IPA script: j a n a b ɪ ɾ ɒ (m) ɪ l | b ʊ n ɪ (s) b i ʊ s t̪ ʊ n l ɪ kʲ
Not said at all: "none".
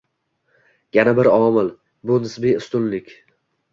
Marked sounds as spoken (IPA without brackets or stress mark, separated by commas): m, s